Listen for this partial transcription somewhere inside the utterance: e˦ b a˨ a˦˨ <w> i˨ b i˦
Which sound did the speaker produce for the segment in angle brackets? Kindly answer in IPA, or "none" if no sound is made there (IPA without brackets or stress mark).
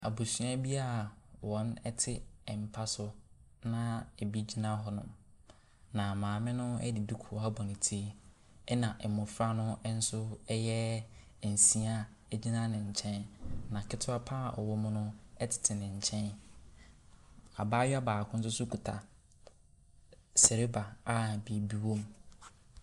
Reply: b